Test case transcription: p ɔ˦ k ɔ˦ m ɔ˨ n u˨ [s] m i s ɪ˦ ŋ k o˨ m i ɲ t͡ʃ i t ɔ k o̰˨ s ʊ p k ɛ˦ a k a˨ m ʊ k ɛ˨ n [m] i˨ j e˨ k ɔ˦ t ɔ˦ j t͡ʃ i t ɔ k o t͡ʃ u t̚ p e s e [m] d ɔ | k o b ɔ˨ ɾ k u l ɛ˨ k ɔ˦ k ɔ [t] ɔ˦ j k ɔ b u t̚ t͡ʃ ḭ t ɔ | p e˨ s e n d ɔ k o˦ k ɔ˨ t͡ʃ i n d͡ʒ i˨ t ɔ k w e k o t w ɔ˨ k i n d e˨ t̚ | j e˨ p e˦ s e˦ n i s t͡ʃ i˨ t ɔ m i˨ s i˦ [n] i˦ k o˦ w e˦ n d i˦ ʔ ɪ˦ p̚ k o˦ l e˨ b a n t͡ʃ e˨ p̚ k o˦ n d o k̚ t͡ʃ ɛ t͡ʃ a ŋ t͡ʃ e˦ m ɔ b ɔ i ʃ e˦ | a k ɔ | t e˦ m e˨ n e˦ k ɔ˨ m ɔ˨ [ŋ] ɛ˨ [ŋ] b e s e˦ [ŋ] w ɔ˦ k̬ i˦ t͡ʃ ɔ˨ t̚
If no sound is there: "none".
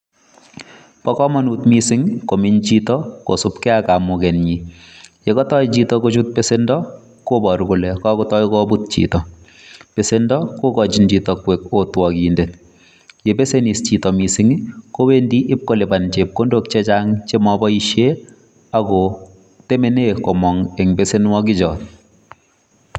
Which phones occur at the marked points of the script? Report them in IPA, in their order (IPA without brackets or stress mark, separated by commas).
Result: t, ɲ, n, t, ŋ, ŋ, ŋ, n